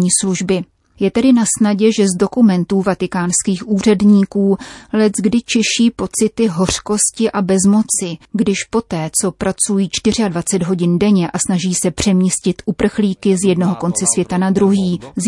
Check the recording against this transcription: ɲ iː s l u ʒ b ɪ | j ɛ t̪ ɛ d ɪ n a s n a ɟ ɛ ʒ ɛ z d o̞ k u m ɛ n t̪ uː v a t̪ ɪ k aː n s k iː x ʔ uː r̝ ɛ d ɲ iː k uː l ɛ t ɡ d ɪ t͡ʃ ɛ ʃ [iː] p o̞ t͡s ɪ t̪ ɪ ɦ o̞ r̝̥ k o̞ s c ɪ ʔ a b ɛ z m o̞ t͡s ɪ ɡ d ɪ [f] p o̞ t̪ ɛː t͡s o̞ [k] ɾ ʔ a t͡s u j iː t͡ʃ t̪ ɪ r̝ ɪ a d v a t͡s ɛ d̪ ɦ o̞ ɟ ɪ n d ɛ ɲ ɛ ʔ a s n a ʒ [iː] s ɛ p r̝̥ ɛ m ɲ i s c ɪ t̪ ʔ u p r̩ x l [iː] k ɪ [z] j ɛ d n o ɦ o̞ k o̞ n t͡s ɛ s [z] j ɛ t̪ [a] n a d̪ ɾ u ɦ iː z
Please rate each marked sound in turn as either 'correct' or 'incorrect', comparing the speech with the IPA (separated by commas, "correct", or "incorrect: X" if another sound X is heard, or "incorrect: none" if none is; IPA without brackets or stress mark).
correct, incorrect: ʃ, incorrect: p, correct, correct, correct, incorrect: v, correct